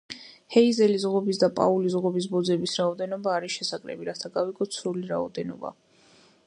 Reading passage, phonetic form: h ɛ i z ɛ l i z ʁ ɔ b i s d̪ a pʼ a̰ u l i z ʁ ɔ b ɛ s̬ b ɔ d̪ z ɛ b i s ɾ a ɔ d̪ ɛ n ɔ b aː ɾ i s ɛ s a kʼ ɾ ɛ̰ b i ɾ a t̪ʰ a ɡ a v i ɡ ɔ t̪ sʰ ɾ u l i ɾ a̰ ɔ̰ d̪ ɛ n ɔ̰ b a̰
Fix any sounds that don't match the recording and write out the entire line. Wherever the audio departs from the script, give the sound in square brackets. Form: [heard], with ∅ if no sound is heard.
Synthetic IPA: h ɛ i z ɛ l i z ʁ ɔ b i s d̪ a pʼ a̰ u l i z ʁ ɔ b [i] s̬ b ɔ d̪ z ɛ b i s ɾ a ɔ d̪ ɛ n ɔ b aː ɾ i [ʃ] ɛ s a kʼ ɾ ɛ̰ b i ɾ a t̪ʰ a ɡ a v i ɡ ɔ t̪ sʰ ɾ u l i ɾ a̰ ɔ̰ d̪ ɛ n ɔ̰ b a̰

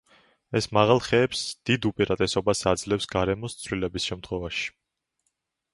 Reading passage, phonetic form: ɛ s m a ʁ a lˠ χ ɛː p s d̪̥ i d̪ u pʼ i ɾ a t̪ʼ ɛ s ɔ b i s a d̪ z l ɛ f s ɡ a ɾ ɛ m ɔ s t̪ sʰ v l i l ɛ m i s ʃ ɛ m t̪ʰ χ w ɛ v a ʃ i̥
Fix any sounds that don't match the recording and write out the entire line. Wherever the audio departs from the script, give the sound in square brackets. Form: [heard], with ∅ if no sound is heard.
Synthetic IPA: ɛ s m a ʁ a lˠ χ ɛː p s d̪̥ i d̪ u pʼ i ɾ a t̪ʼ ɛ s ɔ b [a] s a d̪ z l ɛ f s ɡ a ɾ ɛ m ɔ s t̪ sʰ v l i l ɛ [b] i s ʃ ɛ m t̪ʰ χ w ɛ v a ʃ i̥

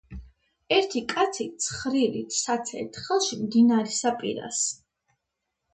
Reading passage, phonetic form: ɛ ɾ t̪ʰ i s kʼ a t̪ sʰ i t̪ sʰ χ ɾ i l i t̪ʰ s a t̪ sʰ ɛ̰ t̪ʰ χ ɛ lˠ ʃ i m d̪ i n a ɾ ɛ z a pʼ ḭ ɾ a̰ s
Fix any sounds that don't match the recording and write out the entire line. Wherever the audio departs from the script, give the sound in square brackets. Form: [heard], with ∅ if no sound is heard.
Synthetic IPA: ɛ ɾ t̪ʰ i [∅] kʼ a t̪ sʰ i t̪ sʰ χ ɾ i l i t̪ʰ s a t̪ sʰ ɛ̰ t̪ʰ χ ɛ lˠ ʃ i m d̪ i n a ɾ ɛ [s] a pʼ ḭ ɾ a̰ s

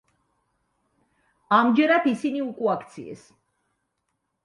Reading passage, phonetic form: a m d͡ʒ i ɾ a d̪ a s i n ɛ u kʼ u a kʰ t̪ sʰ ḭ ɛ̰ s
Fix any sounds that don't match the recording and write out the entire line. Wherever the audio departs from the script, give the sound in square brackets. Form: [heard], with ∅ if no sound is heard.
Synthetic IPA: a m d͡ʒ [ɛ] ɾ a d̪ [i] s i n [i] u kʼ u a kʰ t̪ sʰ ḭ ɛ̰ s

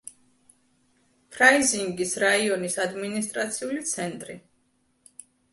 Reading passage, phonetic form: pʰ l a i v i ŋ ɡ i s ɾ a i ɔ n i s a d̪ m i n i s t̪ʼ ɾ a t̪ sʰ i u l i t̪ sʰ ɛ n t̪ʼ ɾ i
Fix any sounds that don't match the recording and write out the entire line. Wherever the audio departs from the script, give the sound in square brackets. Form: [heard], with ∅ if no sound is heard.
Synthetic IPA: pʰ [ɾ] a i [z] i ŋ ɡ i s ɾ a i ɔ n i s a d̪ m i n i s t̪ʼ ɾ a t̪ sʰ i u l i t̪ sʰ ɛ n t̪ʼ ɾ i

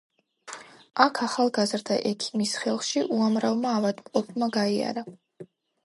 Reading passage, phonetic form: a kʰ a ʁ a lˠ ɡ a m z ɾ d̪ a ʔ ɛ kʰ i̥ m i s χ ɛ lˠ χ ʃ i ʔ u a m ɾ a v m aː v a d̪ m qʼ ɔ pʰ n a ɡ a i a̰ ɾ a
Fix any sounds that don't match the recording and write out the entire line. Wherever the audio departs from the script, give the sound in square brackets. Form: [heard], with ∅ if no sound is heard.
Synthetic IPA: a kʰ a [χ] a lˠ ɡ a [∅] z ɾ d̪ a ʔ ɛ kʰ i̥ m i s χ ɛ lˠ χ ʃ i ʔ u a m ɾ a v m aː v a d̪ m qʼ ɔ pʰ [m] a ɡ a i a̰ ɾ a

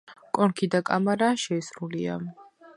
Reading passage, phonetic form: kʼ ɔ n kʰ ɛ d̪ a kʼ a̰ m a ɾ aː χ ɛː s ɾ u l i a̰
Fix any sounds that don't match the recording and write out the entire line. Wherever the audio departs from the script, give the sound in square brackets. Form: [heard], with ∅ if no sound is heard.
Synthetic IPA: kʼ ɔ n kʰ [i] d̪ a kʼ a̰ m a ɾ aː [ʃ] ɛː s ɾ u l i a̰

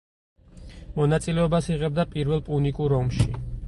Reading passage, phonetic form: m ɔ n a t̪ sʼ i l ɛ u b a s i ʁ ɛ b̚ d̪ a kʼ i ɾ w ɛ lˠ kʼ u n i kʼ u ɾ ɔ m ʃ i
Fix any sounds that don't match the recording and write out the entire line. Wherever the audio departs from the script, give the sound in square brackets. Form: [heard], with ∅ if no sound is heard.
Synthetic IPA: m ɔ n a t̪ sʼ i l ɛ [ɔ] b a s i ʁ ɛ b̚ d̪ a [pʼ] i ɾ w ɛ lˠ [pʼ] u n i kʼ u ɾ ɔ m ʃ i

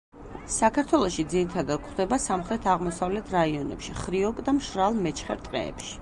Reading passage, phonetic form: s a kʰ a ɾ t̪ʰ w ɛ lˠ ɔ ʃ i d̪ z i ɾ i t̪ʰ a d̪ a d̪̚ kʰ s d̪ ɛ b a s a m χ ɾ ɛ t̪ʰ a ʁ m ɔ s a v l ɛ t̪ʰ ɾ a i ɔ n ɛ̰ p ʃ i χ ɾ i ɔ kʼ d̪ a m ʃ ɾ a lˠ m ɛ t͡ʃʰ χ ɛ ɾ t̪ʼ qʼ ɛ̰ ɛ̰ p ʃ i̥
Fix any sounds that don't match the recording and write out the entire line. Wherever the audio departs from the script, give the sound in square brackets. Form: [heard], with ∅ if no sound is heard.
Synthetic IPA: s a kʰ a ɾ t̪ʰ w ɛ lˠ ɔ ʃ i d̪ z i ɾ i t̪ʰ a d̪ a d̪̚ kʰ [χ] d̪ ɛ b a s a m χ ɾ ɛ t̪ʰ a ʁ m ɔ s a v l ɛ t̪ʰ ɾ a i ɔ n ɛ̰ p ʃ i χ ɾ i ɔ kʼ d̪ a m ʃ ɾ a lˠ m ɛ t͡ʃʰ χ ɛ ɾ t̪ʼ qʼ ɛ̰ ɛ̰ p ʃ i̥

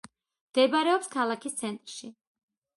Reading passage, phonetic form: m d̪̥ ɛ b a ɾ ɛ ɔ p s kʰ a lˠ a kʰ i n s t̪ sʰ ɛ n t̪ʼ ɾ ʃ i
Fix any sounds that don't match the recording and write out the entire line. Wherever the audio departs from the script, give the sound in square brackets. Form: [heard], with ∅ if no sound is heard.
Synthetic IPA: m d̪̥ ɛ b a ɾ ɛ ɔ p s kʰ a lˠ a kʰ i [∅] s t̪ sʰ ɛ n t̪ʼ ɾ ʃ i

